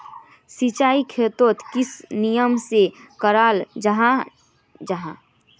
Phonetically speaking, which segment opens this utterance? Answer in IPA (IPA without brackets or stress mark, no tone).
s